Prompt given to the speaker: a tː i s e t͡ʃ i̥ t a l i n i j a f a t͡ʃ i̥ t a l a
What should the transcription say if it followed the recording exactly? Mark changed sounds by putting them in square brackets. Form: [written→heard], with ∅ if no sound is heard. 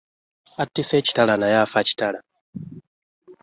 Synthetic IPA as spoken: a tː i s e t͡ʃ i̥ t a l [i→a] n [i→a] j a f a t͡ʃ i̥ t a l a